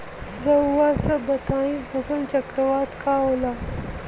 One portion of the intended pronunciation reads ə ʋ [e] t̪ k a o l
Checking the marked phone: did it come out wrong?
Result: yes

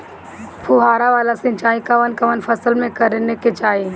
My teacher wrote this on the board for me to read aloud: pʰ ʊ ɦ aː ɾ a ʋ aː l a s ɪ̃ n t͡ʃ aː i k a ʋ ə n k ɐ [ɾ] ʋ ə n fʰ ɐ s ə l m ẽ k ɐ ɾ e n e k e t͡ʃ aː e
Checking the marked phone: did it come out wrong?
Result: yes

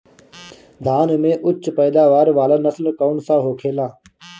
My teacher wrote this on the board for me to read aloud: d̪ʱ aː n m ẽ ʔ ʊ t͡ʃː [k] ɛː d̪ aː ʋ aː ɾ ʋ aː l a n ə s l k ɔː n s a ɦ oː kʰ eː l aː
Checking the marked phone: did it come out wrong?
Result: yes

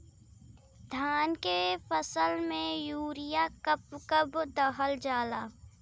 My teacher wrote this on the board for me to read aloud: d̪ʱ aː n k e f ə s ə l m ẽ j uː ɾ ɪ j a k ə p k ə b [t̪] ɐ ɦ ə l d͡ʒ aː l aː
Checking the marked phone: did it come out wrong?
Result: yes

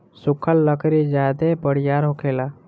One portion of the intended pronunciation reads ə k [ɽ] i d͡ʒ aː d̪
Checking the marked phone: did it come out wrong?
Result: yes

